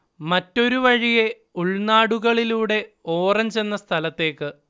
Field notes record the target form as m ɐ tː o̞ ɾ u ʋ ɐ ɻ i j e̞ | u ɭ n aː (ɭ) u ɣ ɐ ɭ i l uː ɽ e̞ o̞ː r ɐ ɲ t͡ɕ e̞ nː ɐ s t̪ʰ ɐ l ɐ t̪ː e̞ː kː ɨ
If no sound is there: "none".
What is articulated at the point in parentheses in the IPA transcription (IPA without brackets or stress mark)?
ɽ